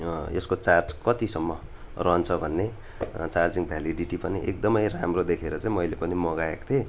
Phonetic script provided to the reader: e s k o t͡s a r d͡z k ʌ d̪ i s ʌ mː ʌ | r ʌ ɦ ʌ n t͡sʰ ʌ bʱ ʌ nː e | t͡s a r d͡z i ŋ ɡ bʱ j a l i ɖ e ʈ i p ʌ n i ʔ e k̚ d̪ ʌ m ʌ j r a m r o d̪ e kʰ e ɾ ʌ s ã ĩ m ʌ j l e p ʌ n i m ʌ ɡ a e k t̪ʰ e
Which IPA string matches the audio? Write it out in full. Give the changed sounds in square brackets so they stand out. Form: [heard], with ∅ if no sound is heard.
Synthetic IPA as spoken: e s k o t͡s a r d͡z k ʌ [t̪] i s ʌ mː ʌ | r ʌ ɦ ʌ n t͡sʰ ʌ bʱ ʌ nː e | t͡s a r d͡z i ŋ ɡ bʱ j a l i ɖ [i] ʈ i p ʌ n i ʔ e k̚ d̪ ʌ m ʌ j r a m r o d̪ e kʰ e ɾ ʌ [t͡s] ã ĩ m ʌ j l e p ʌ n i m ʌ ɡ a e k t̪ʰ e